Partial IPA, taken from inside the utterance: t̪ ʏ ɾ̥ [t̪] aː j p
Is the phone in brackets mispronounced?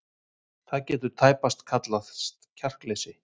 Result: yes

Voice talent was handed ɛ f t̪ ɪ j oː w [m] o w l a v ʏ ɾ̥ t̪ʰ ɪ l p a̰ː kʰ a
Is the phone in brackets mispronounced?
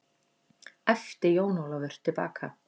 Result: yes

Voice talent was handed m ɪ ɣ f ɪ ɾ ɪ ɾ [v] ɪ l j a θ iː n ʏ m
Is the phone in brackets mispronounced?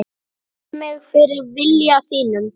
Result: no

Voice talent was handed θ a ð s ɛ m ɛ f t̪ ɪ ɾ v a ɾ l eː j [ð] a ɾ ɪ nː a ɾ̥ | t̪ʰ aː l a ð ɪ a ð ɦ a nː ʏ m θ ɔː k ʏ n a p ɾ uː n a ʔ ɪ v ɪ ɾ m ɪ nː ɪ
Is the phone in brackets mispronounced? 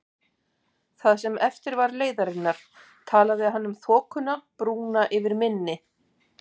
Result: no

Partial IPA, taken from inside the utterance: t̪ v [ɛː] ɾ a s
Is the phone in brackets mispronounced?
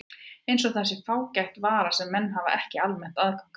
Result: yes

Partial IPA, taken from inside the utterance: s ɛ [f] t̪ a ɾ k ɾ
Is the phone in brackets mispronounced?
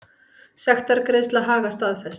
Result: yes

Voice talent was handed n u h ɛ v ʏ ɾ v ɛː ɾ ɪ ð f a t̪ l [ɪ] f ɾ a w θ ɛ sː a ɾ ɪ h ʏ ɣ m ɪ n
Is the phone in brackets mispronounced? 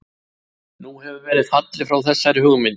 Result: no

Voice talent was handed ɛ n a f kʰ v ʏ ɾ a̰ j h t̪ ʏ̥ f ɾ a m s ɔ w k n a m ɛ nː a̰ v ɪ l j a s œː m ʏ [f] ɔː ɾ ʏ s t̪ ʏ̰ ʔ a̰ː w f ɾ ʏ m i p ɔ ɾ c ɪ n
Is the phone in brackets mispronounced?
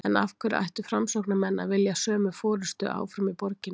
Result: no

